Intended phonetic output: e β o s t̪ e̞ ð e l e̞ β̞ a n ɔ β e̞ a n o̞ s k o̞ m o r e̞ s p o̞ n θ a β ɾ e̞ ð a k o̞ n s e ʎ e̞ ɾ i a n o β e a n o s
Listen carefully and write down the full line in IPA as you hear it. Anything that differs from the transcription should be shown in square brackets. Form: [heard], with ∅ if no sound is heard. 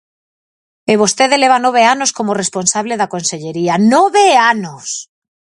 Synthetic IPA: e β o s t̪ e̞ ð e l e̞ β̞ a n [o] β e̞ a n o̞ s k o̞ m o r e̞ s p o̞ n [s] a β [l] e̞ ð a k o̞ n s e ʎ e̞ ɾ i a n o β e a n o s